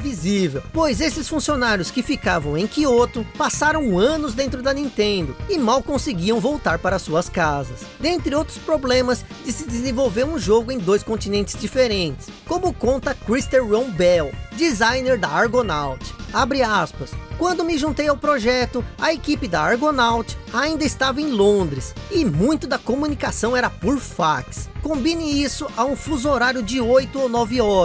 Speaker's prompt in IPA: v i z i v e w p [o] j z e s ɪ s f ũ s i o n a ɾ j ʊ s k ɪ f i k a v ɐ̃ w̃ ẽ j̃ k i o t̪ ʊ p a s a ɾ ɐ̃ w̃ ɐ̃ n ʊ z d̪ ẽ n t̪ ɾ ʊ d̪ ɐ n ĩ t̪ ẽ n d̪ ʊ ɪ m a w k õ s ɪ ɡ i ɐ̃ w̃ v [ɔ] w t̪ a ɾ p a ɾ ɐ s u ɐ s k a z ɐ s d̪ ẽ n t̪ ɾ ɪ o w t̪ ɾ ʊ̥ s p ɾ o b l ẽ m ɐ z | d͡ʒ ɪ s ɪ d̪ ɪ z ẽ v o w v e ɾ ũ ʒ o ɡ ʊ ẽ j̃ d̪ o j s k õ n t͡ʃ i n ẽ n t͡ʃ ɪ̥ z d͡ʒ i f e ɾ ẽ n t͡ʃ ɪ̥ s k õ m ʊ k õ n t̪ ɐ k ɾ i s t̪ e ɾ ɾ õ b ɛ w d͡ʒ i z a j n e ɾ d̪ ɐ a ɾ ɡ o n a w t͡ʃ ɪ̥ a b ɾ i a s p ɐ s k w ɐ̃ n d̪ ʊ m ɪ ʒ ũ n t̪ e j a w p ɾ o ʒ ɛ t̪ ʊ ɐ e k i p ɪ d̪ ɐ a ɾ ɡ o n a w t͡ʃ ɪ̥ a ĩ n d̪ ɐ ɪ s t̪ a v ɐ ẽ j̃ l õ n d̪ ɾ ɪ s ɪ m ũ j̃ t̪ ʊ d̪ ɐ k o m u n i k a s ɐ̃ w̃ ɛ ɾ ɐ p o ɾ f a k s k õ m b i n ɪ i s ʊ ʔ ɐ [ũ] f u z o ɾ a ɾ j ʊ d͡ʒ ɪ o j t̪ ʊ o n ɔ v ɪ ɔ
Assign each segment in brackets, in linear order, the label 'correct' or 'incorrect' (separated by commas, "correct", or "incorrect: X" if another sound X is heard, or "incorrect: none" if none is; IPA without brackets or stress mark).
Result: correct, incorrect: o, correct